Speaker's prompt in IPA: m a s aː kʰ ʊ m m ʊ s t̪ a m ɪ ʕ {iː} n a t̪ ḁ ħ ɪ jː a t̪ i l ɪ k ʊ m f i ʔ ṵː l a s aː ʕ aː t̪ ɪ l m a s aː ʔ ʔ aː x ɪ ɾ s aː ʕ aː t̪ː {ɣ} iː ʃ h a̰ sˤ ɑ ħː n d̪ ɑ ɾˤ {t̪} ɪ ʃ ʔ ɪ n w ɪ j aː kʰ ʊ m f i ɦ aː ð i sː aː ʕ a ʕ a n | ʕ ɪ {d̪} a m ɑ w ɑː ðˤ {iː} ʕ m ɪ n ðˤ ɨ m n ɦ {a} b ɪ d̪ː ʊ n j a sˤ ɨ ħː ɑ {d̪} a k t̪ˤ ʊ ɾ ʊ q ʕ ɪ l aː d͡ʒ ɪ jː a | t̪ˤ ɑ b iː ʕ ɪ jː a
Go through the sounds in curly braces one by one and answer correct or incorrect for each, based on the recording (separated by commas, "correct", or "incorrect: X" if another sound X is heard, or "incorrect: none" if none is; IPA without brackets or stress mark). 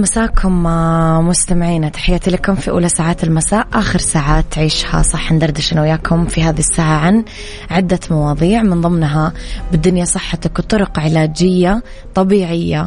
correct, incorrect: ʕ, incorrect: d̪, incorrect: d̪ː, correct, correct, incorrect: t̪